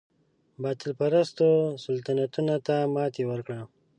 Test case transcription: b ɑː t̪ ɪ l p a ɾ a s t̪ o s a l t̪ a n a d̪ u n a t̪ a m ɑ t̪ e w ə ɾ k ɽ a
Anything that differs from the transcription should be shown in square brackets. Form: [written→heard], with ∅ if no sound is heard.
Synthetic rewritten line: b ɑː t̪ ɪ l p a ɾ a s t̪ o s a l t̪ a n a [d̪→t̪] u n a t̪ a m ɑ t̪ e w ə ɾ k ɽ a